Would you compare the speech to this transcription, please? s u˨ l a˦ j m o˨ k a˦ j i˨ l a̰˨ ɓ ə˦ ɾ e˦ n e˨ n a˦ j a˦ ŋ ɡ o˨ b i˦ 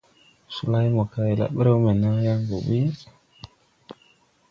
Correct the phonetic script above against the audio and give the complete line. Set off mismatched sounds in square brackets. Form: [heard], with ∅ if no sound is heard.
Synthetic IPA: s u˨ l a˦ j m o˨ k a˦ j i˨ l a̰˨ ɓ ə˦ ɾ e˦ [m] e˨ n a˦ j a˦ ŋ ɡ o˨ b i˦